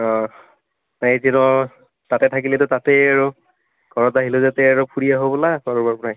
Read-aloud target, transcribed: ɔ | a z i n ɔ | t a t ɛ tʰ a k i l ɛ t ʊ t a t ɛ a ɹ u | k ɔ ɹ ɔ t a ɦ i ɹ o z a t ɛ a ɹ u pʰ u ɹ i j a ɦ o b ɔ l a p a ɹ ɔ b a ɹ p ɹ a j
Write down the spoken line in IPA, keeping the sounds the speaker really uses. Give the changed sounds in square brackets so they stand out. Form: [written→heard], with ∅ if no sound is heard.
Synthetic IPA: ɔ | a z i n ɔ | t a t ɛ tʰ a k i l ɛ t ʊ t a t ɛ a ɹ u | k ɔ ɹ ɔ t a ɦ i [ɹ→l] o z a t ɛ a ɹ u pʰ u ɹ i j a ɦ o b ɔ l a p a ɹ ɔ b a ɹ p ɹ a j